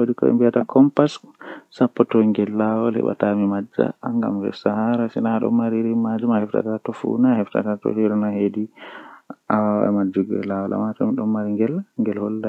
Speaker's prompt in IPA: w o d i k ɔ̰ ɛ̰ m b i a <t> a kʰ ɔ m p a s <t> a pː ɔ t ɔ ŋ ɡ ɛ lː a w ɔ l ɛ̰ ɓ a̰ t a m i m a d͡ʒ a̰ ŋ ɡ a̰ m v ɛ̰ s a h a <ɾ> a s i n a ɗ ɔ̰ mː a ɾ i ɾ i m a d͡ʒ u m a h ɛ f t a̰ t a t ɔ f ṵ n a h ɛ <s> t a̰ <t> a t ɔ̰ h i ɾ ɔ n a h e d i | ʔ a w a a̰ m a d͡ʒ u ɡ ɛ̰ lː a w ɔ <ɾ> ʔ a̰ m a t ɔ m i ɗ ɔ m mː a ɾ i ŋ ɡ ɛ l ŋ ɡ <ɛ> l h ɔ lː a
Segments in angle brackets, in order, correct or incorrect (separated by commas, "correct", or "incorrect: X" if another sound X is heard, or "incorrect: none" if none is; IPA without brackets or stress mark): correct, incorrect: s, correct, incorrect: f, correct, incorrect: l, correct